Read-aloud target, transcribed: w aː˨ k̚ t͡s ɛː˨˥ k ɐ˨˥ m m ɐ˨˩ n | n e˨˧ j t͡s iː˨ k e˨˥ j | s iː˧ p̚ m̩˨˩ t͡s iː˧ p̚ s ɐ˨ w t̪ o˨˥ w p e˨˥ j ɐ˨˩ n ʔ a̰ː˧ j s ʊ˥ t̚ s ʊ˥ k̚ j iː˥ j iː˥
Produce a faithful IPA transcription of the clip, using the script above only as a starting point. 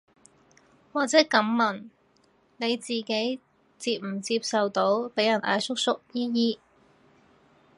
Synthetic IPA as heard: w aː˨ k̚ t͡s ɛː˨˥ k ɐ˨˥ m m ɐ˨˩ n | n e˨˧ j t͡s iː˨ k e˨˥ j | t͡s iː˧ p̚ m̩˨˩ t͡s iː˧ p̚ s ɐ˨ w t̪ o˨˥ w p e˨˥ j ɐ˨˩ n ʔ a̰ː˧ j s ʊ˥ k̚ s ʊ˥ k̚ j iː˥ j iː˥